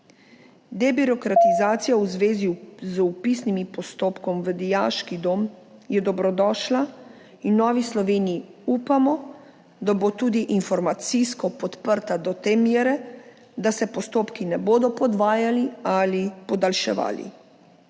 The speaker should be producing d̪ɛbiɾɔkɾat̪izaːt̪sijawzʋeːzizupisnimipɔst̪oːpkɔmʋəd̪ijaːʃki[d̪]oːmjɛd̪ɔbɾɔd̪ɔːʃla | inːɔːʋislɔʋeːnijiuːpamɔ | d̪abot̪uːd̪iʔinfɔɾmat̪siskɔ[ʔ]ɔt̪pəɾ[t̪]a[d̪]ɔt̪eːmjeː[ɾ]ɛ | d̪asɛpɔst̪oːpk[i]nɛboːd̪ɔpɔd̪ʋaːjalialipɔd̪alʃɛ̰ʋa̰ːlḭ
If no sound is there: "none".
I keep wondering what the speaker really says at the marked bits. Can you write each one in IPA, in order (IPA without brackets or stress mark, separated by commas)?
d̪, p, t̪, d̪, ɾ, i